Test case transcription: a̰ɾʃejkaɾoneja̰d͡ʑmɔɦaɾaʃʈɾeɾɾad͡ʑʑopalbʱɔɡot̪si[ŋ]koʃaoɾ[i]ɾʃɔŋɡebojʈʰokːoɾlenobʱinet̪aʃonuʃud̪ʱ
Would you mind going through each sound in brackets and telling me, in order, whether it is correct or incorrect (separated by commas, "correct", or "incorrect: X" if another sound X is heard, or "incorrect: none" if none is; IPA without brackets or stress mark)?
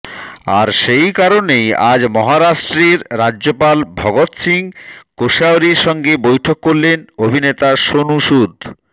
correct, correct